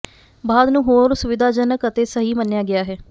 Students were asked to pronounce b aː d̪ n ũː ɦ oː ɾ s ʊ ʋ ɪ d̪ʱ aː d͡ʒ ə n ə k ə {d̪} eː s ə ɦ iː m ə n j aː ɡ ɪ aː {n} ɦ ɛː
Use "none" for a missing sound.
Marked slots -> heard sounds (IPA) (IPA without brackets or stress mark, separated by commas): t̪, none